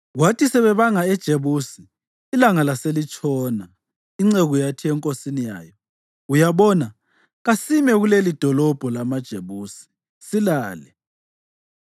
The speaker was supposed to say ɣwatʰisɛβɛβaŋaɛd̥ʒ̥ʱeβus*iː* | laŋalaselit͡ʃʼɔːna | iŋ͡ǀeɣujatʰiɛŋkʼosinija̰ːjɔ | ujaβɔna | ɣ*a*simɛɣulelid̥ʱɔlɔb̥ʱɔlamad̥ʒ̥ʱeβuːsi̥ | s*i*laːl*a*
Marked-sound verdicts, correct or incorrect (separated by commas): correct, correct, correct, incorrect